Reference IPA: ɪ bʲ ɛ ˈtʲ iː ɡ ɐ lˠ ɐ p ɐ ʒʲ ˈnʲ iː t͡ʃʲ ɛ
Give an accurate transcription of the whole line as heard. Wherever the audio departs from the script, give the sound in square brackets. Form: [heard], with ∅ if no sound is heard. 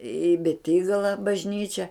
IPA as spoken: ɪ bʲ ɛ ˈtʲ iː ɡ ɐ lˠ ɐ [b] ɐ ʒʲ ˈnʲ iː t͡ʃʲ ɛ